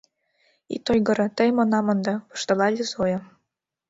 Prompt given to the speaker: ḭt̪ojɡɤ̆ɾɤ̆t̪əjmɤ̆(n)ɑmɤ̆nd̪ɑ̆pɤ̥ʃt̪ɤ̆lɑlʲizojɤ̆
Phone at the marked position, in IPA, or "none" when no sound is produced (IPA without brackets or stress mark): n